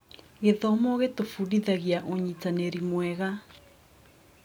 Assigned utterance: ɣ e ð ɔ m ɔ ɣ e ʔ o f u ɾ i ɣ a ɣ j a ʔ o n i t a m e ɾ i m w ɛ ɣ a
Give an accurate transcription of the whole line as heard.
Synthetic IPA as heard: ɣ e ð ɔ m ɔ ɣ e t o f u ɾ i ð a ɣ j a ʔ o ɲ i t a n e ɾ i m w ɛ ɣ a